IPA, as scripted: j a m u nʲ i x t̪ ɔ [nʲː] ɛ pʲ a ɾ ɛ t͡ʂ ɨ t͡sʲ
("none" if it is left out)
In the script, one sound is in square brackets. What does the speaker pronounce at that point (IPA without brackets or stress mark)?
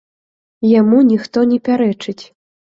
nʲ